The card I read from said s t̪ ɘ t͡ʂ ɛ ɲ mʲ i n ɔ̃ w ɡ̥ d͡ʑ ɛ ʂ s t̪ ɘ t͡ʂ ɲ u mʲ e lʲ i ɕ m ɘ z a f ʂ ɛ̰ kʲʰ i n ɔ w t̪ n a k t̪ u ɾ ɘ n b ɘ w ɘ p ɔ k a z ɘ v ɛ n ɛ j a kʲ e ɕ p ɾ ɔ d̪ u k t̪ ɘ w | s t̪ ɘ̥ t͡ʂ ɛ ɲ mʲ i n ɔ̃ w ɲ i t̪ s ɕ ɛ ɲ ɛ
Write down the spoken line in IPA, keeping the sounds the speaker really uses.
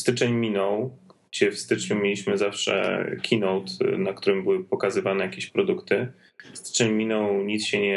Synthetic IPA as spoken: s t̪ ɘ t͡ʂ ɛ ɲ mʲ i n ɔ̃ w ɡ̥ d͡ʑ ɛ f s t̪ ɘ t͡ʂ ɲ u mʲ e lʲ i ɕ m ɘ z a f ʂ ɛ̰ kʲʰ i n ɔ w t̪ n a k t̪ u ɾ ɘ m b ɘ w ɘ p ɔ k a z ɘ v a n ɛ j a kʲ e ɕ p ɾ ɔ d̪ u k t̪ ɘ | s t̪ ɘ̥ t͡ʂ ɛ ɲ mʲ i n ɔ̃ w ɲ i t̪ s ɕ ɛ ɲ ɛ